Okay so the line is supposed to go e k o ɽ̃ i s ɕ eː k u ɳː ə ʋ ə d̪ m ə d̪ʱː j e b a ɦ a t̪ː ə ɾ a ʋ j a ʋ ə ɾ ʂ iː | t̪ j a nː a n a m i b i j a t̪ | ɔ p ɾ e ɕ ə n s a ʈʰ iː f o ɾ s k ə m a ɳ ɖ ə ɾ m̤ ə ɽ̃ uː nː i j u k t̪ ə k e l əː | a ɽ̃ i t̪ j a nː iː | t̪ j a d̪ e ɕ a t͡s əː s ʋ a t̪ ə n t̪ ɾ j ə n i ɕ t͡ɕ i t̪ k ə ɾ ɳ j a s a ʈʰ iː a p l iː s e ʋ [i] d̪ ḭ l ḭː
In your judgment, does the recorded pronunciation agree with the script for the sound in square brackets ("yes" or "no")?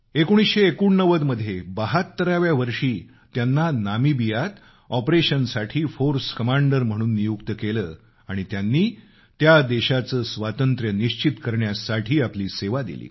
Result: no